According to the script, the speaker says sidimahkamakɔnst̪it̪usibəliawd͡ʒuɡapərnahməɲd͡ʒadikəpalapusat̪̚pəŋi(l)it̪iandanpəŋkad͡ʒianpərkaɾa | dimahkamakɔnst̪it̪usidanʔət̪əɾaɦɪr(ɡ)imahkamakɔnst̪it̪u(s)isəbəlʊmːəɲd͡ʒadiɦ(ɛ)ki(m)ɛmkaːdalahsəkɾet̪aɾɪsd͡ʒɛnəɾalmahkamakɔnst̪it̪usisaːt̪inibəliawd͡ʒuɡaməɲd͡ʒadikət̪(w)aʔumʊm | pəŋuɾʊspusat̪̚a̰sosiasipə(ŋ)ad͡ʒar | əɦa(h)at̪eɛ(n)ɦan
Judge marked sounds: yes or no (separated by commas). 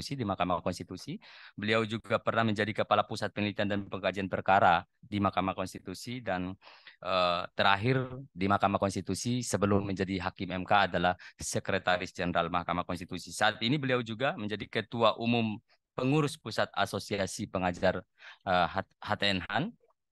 yes, no, yes, no, yes, no, yes, yes, yes